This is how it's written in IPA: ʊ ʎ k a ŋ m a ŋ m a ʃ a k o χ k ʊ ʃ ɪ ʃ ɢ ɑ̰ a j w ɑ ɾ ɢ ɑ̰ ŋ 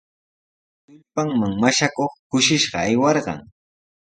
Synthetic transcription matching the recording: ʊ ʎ p a ŋ m a ŋ m a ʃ a k o χ k ʊ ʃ ɪ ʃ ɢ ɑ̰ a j w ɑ ɾ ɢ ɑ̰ ŋ